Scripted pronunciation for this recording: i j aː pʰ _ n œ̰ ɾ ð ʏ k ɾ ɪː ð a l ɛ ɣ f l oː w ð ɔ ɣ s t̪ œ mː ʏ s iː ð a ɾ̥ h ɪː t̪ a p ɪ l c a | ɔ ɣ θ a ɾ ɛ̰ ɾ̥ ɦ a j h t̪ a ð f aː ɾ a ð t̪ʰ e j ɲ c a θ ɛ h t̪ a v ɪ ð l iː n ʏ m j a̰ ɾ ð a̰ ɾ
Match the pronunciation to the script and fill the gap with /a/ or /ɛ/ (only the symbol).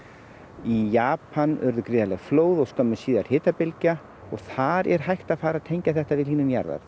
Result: a